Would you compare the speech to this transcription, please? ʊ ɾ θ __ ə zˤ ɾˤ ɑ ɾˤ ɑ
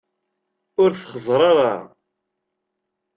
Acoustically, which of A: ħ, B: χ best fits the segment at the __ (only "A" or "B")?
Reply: B